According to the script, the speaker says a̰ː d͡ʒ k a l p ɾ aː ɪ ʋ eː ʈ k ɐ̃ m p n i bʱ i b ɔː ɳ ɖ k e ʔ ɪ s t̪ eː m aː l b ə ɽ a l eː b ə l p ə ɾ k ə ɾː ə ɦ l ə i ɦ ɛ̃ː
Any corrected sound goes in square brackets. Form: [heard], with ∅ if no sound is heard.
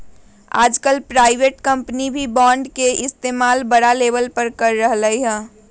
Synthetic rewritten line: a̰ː d͡ʒ k [ə] l p ɾ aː ɪ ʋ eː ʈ k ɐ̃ m p n i bʱ i b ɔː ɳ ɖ k e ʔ ɪ s t̪ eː m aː l b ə ɽ a l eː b ə l p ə ɾ k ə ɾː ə ɦ l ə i ɦ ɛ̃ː